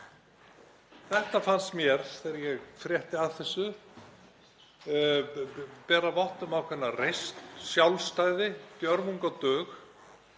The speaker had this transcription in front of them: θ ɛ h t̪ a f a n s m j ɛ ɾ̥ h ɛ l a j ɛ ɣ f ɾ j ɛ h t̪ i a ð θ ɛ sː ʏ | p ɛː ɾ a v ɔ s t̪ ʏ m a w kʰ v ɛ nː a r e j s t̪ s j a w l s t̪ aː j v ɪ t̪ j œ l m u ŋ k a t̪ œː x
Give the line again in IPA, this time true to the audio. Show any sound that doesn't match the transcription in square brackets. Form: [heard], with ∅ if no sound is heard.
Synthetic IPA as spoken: θ ɛ h t̪ a f a n s m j ɛ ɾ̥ [θ] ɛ [ɾ] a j ɛ ɣ f ɾ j ɛ h t̪ [ɪ] a ð θ ɛ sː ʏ | p ɛː ɾ a v ɔ [h] t̪ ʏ m a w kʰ v ɛ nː a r e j s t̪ s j a w l s t̪ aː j [ð] ɪ t̪ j œ [ɾ] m u ŋ k a t̪ œː x